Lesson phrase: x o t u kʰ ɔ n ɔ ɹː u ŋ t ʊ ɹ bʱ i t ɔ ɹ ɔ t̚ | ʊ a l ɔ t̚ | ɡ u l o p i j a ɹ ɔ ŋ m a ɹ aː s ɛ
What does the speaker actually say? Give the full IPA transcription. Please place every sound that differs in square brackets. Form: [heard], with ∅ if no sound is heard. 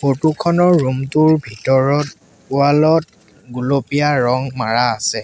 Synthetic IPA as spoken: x o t u kʰ ɔ n ɔ ɹː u [m] t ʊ ɹ bʱ i t ɔ ɹ ɔ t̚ | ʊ a l ɔ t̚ | ɡ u l o p i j a ɹ ɔ ŋ m a ɹ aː s ɛ